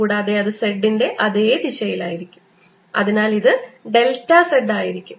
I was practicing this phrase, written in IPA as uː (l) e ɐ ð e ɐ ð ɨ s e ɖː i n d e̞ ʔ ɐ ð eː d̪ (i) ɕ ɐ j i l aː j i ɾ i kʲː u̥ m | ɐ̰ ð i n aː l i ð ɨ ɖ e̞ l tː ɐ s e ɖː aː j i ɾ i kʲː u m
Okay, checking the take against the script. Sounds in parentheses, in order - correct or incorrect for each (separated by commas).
incorrect, correct